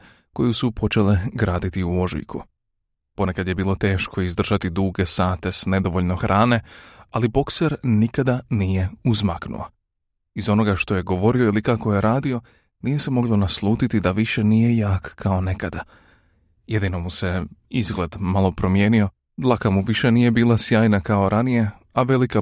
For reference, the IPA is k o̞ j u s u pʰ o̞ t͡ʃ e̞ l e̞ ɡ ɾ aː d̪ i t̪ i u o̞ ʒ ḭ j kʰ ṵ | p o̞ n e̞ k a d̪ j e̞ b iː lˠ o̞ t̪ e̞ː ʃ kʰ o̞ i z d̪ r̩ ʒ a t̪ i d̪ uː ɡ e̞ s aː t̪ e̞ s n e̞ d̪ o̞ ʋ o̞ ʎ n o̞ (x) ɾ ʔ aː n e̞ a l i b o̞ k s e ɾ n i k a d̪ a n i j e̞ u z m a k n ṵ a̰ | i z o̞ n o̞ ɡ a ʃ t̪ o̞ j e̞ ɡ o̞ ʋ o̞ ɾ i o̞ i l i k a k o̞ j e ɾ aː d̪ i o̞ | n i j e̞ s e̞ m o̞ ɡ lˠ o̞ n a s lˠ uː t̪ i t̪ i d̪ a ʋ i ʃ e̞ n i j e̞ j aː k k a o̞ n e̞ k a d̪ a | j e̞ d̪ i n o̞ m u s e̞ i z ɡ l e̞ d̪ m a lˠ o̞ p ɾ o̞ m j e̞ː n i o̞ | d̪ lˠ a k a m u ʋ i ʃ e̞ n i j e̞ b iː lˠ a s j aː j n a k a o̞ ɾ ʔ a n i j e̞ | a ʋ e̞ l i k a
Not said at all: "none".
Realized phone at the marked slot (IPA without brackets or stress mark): x